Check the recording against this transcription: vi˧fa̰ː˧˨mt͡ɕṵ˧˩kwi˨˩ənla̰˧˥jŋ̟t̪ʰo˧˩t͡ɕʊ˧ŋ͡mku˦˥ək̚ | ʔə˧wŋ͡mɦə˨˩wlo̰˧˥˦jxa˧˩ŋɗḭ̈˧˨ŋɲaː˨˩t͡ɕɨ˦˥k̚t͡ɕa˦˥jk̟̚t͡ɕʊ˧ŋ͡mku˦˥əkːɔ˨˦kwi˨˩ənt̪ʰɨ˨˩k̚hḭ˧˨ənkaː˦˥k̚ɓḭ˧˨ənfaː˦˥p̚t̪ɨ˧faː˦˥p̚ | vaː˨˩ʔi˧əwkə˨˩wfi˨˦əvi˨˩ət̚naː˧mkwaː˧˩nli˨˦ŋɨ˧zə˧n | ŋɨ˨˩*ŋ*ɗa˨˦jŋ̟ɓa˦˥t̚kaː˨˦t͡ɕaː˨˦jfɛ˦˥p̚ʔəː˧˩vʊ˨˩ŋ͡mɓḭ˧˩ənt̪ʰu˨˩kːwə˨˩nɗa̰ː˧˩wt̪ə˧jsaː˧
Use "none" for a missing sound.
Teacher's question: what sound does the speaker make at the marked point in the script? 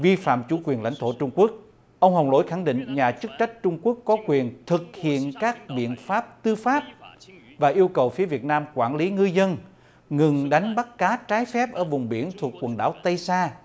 ŋ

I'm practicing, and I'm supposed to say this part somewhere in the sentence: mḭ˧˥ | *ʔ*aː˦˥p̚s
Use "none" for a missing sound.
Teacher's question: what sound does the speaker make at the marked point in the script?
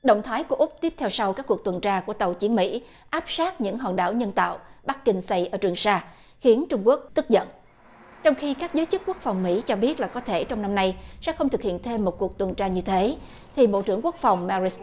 ʔ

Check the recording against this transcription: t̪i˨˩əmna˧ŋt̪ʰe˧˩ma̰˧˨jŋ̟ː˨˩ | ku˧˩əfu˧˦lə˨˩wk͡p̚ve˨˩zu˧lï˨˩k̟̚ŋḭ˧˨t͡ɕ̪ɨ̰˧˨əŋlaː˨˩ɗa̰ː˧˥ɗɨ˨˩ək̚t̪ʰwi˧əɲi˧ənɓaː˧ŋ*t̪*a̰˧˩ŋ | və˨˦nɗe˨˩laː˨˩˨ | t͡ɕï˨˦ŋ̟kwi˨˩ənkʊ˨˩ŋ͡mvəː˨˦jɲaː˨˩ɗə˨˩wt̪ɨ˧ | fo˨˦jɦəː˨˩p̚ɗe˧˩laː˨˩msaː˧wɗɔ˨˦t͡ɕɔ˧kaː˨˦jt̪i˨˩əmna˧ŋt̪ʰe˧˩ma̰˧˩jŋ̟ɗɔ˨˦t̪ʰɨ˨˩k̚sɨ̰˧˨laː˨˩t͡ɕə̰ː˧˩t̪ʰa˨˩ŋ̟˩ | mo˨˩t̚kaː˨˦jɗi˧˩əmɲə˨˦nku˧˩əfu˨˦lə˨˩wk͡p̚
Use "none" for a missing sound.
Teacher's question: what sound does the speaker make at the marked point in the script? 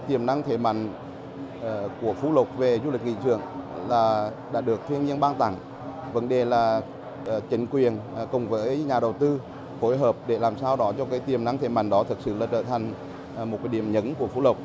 t̪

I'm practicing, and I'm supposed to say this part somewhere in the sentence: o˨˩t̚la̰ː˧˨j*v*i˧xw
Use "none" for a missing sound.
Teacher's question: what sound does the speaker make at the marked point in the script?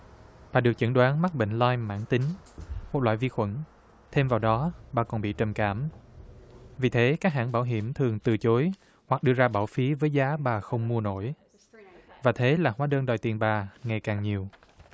v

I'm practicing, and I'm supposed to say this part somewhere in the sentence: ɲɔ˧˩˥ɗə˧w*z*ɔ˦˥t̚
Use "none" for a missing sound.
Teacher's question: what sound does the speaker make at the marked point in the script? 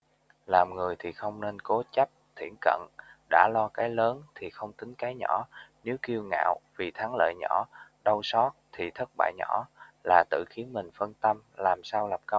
s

